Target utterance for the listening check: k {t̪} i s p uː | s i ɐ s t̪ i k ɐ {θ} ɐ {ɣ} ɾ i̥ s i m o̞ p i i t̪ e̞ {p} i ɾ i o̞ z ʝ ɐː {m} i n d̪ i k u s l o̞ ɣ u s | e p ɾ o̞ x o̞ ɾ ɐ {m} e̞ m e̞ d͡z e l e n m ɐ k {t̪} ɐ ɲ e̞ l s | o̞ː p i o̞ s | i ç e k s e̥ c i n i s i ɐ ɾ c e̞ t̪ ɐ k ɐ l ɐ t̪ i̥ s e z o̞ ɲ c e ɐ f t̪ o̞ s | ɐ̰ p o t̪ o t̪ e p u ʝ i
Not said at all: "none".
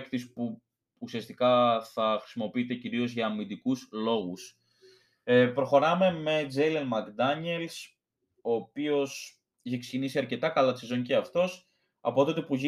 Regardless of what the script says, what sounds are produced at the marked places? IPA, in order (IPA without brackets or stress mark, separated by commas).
t̪, θ, x, c, m, m, d̪